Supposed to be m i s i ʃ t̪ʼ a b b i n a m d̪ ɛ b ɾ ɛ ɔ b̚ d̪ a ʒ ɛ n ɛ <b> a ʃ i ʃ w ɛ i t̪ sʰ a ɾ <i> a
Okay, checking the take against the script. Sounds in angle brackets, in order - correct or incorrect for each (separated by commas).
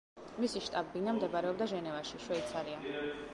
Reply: incorrect, correct